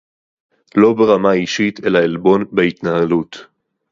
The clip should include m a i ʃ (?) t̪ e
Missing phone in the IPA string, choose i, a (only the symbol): i